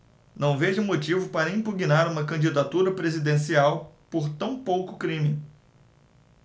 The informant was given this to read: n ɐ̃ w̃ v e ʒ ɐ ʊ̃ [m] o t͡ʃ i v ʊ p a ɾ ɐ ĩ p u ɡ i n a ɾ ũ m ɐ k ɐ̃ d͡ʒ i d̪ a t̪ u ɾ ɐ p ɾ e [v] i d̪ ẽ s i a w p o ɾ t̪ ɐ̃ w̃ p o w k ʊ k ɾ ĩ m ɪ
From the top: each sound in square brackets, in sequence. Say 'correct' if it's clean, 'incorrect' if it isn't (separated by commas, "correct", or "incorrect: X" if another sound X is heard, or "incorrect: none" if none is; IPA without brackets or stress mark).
correct, incorrect: z